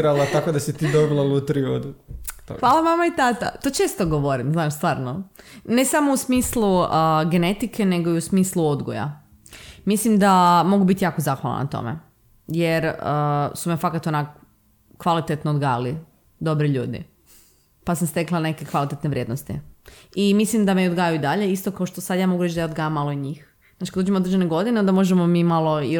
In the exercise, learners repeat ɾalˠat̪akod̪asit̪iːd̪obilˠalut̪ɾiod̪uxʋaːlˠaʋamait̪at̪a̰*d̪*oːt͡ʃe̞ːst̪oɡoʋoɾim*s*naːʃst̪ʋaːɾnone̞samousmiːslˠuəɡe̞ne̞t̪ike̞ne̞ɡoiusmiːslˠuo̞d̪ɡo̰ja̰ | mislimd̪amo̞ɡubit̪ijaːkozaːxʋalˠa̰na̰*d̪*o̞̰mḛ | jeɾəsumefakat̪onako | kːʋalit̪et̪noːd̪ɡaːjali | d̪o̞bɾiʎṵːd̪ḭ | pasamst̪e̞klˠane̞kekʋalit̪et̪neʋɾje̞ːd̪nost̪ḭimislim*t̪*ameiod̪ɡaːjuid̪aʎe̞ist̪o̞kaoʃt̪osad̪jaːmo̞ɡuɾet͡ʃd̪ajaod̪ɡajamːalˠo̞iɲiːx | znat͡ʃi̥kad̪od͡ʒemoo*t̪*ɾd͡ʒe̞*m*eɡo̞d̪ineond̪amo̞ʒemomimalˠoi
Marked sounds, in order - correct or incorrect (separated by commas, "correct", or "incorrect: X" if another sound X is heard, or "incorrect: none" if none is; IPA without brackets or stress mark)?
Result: incorrect: t̪, incorrect: z, incorrect: t̪, incorrect: d̪, incorrect: d̪, incorrect: n